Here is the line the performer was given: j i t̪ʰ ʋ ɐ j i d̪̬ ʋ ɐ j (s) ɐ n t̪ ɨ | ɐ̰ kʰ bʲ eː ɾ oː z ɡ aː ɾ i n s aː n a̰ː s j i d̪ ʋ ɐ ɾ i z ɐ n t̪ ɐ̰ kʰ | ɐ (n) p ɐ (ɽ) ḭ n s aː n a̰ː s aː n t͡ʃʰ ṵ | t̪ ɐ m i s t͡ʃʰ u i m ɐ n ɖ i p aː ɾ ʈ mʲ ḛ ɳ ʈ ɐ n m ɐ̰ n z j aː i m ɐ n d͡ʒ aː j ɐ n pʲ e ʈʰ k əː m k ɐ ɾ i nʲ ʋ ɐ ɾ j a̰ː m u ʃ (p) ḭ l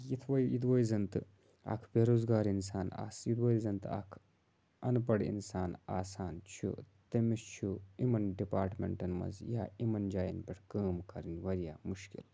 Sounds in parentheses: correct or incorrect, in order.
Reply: incorrect, correct, correct, incorrect

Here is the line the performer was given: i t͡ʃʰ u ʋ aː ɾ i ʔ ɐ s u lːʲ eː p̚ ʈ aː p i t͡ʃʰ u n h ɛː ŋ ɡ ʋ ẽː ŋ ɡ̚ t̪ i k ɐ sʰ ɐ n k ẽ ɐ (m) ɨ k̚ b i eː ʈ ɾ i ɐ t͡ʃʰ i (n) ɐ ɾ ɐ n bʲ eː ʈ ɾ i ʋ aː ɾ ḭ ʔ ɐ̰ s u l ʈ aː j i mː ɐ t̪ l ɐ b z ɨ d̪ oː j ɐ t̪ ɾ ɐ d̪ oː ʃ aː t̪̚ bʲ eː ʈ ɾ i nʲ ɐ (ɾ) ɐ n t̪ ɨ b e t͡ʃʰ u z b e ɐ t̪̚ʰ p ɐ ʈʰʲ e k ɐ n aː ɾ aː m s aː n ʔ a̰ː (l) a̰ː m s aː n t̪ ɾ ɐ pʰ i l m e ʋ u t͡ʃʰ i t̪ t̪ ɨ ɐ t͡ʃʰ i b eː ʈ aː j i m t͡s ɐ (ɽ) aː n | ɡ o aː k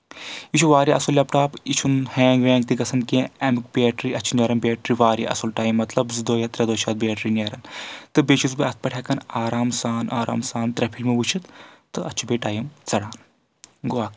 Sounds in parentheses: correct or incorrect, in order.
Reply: correct, correct, correct, incorrect, correct

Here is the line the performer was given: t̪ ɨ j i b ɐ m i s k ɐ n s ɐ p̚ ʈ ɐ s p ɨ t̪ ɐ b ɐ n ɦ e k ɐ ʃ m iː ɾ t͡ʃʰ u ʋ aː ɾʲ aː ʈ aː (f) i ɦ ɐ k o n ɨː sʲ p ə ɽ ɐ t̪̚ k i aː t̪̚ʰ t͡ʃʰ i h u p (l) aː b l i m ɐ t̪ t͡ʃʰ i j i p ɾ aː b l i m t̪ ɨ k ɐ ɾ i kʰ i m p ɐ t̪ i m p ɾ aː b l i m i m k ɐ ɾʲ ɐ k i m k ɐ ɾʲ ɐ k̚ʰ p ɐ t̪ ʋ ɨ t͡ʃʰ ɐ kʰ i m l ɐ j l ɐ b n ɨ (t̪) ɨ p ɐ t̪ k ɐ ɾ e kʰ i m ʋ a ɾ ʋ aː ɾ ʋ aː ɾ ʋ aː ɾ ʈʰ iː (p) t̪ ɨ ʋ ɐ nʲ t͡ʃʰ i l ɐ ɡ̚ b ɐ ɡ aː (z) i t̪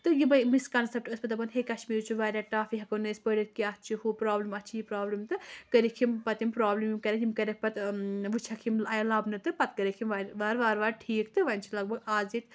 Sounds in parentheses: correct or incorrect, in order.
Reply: correct, incorrect, correct, incorrect, correct

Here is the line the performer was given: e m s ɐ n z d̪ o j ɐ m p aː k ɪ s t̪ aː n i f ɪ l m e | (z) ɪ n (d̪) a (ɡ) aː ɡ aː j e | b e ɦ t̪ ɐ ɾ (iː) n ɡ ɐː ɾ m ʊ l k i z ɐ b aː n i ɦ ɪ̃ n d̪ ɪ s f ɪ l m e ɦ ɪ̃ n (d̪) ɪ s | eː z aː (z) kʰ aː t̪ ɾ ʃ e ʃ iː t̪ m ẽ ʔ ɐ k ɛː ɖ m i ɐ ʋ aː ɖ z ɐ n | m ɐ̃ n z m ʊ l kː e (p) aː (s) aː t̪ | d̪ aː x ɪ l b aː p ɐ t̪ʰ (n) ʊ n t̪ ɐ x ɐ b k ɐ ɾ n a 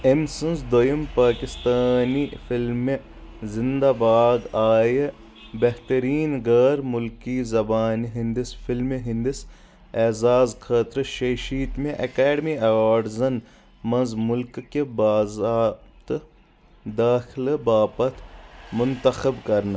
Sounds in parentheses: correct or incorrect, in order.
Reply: correct, correct, incorrect, correct, correct, correct, incorrect, incorrect, incorrect

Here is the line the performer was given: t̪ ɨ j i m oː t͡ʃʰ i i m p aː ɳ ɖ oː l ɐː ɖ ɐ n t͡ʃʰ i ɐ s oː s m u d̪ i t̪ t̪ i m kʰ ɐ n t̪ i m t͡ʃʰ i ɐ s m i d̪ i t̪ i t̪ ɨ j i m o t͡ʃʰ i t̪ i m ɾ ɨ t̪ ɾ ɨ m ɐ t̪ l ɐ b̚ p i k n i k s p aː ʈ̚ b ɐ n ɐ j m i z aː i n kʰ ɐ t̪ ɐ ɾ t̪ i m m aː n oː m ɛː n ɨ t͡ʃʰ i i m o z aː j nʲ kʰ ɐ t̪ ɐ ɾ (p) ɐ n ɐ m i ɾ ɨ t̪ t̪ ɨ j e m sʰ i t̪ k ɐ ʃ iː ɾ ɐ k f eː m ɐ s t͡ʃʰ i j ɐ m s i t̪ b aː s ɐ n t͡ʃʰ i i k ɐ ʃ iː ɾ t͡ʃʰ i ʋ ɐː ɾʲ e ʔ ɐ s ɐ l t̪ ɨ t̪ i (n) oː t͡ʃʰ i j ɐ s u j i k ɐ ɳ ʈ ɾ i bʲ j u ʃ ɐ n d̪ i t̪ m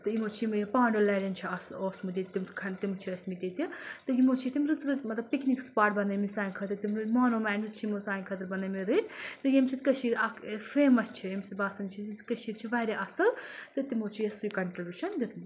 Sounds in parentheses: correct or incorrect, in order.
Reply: incorrect, incorrect

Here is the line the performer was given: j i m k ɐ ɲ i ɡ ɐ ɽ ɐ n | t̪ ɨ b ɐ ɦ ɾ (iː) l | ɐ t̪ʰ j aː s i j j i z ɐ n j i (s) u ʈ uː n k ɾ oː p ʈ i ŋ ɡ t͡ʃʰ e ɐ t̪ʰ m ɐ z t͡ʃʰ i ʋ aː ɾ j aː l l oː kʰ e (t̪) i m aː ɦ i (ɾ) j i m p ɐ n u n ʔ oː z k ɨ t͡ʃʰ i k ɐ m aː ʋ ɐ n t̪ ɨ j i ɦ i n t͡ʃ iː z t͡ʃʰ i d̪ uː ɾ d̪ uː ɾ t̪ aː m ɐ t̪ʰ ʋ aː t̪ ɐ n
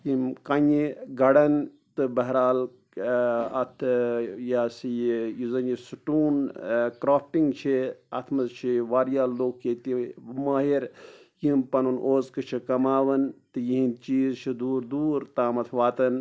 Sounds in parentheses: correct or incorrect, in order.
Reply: incorrect, correct, correct, correct

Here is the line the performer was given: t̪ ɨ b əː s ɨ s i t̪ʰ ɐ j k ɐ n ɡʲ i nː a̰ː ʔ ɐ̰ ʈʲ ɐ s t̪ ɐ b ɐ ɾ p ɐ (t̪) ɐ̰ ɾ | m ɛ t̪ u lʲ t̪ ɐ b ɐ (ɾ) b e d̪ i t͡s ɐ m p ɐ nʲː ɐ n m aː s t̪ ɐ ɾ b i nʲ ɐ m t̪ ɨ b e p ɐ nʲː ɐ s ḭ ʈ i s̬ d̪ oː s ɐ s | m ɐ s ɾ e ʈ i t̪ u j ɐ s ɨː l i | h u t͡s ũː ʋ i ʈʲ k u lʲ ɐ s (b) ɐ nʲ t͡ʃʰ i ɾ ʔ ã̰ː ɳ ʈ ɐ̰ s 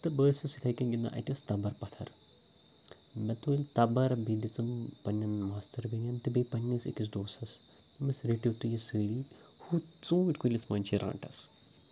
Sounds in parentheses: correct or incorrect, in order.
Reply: incorrect, correct, incorrect

